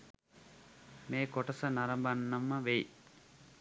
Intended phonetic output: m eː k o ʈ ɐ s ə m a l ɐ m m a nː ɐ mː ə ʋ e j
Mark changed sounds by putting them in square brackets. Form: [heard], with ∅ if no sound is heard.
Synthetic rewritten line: m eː k o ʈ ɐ s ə [n] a [ɾ] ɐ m [b] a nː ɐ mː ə ʋ e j